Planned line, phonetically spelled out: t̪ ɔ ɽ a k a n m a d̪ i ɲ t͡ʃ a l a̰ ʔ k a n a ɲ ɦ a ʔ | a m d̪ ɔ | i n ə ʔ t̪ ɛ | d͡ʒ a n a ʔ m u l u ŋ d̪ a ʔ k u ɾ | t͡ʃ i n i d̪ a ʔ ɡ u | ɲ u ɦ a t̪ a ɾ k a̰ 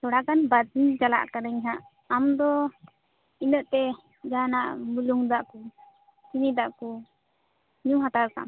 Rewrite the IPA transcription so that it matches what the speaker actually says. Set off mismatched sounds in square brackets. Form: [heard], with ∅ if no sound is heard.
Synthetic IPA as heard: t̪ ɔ ɽ a k a n [b] a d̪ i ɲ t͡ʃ a l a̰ ʔ k a n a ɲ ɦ a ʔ | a m d̪ ɔ | i n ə ʔ t̪ ɛ | d͡ʒ a n a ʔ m u l u ŋ d̪ a ʔ k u [∅] | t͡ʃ i n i d̪ a ʔ [k] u | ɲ u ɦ a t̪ a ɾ k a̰